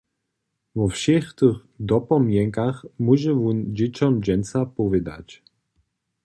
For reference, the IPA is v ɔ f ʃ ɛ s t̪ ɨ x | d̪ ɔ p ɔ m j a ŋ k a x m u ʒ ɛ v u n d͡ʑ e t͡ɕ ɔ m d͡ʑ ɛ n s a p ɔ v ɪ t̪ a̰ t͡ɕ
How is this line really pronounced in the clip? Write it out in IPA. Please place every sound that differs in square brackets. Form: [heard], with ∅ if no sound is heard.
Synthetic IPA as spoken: v ɔ f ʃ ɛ [x] t̪ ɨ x | d̪ ɔ p ɔ m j [ɛ] ŋ k a x m u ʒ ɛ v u n d͡ʑ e t͡ɕ ɔ m d͡ʑ ɛ n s a p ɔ v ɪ [d̪] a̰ t͡ɕ